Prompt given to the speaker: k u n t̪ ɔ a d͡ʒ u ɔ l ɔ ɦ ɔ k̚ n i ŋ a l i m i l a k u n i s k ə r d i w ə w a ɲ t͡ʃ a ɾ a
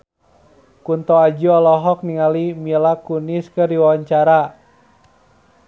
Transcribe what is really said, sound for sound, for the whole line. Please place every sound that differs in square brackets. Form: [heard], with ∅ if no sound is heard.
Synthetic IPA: k u n t̪ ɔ a d͡ʒ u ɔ l ɔ ɦ ɔ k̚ n i ŋ a l i m i l a k u n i s k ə r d i w [a] w a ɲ t͡ʃ a ɾ a